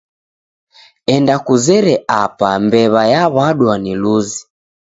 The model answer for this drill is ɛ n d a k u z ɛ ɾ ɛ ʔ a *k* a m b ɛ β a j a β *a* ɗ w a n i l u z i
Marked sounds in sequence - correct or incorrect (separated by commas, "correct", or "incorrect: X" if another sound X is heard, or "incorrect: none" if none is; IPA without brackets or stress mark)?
incorrect: p, correct